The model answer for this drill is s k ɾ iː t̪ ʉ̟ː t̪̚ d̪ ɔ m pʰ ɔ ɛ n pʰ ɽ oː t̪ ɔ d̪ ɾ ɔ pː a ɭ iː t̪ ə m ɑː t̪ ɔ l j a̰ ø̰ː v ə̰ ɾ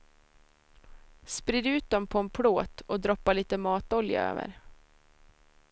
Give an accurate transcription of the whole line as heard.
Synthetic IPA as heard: s p ɾ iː d̪ ʉ̟ː t̪̚ d̪ ɔ m pʰ ɔ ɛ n pʰ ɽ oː t̪ ɔ d̪ ɾ ɔ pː a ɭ iː t̪ ə m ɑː t̪ ɔ l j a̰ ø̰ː v ə̰ ɾ

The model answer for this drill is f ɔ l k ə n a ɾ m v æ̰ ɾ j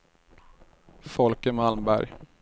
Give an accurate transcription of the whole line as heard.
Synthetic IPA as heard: f ɔ l k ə m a l m b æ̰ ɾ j

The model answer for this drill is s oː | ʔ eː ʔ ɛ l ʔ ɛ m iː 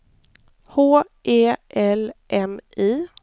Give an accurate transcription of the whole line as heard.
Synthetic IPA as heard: h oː | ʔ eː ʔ ɛ l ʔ ɛ m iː

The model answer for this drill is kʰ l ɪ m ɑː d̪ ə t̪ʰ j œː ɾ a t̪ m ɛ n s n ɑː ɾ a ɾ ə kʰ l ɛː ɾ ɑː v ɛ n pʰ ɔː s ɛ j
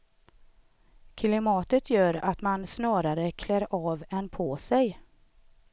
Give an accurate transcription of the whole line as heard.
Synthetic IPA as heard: kʰ l ɪ m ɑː t̪ ə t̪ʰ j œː ɾ a t̪ m a n s n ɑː ɾ a ɾ ə kʰ l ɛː ɾ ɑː v ɛ n pʰ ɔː s ɛ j

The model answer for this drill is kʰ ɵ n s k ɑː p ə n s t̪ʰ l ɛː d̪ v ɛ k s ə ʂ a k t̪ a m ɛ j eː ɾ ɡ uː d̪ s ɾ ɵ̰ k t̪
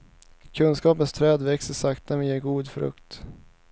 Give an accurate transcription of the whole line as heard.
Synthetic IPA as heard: kʰ ɵ n s k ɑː p ə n s t̪ʰ ɾ ɛː d̪ v ɛ k s ə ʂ a k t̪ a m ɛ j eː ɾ ɡ uː d̪ f ɾ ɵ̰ k t̪

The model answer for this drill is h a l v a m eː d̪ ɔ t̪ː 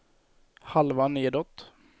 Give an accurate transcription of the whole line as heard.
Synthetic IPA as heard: h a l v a n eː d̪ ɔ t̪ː

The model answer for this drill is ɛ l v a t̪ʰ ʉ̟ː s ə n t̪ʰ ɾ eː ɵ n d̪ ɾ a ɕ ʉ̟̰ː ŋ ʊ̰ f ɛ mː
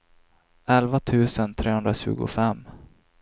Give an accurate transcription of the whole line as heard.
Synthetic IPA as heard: ɛ l v a t̪ʰ ʉ̟ː s ə n t̪ʰ ɾ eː ɵ n d̪ ɾ a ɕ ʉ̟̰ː ɡ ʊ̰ f ɛ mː

